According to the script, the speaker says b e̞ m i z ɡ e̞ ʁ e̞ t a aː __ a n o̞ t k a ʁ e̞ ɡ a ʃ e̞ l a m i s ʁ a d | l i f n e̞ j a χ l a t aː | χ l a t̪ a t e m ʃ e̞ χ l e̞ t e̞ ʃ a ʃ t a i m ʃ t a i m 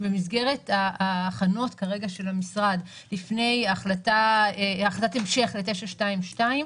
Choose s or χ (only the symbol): χ